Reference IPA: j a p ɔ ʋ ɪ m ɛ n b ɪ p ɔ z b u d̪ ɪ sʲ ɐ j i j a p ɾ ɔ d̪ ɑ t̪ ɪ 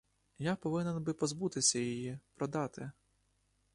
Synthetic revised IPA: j a p ɔ ʋ ɪ n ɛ n b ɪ p ɔ z b u t̪ ɪ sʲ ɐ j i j i p ɾ ɔ d̪ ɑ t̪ ɪ